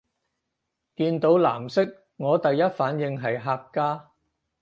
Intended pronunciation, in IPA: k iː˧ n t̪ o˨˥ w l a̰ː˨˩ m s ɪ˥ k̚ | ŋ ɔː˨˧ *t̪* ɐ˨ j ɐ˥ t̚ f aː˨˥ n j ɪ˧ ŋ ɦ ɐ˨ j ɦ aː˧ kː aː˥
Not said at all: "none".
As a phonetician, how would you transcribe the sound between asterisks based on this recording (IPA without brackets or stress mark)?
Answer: t̪